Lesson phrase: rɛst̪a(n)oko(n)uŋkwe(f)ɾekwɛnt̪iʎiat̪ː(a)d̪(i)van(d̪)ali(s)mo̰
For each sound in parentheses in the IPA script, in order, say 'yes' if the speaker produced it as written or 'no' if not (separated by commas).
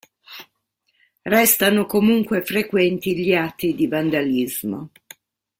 yes, no, yes, no, yes, yes, no